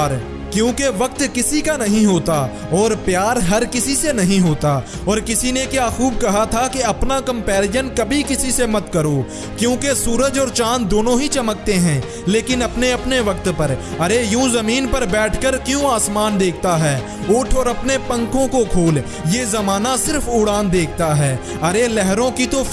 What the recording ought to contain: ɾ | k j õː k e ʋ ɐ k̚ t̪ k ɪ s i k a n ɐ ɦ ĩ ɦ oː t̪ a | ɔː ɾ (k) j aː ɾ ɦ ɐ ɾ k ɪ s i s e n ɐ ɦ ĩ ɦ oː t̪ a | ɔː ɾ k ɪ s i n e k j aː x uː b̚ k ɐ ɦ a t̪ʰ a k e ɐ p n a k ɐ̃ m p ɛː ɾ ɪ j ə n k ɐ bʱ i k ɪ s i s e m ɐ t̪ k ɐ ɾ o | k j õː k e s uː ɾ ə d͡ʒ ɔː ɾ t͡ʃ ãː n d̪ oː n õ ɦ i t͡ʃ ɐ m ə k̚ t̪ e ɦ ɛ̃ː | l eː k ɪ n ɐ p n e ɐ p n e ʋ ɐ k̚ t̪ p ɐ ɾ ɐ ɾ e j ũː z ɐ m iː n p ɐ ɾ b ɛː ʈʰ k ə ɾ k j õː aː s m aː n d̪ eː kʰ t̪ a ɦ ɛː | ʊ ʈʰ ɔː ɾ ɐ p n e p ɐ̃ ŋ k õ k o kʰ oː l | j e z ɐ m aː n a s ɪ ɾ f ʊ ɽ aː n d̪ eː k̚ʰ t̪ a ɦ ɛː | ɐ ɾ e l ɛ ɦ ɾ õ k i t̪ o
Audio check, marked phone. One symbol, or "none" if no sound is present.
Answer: p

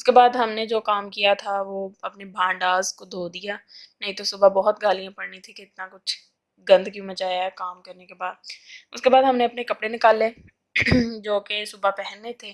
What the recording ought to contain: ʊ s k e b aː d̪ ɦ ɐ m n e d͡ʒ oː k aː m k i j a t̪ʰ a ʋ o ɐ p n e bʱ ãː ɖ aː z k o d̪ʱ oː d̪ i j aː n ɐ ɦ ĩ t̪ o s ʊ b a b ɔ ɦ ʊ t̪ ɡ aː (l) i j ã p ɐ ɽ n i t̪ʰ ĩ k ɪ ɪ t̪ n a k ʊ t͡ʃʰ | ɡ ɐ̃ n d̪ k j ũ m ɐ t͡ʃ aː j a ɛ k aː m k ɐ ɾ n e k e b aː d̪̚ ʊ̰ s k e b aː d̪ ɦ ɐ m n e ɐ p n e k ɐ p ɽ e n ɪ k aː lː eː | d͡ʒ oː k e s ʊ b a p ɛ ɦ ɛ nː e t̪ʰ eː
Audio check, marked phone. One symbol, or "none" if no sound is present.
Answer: l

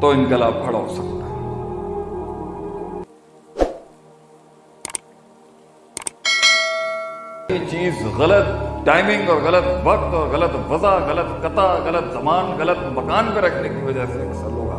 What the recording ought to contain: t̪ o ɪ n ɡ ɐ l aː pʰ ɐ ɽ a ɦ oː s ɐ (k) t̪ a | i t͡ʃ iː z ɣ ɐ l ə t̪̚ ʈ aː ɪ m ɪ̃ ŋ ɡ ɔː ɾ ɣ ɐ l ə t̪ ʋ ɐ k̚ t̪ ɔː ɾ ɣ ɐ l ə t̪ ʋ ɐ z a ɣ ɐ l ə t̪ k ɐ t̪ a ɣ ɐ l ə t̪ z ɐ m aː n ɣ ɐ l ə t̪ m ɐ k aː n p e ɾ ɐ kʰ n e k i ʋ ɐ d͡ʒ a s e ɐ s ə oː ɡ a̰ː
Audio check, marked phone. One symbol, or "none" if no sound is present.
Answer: k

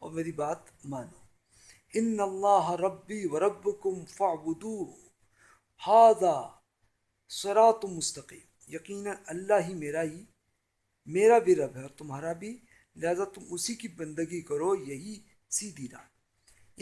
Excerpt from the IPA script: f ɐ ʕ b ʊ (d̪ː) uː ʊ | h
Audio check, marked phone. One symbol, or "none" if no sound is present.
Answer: d̪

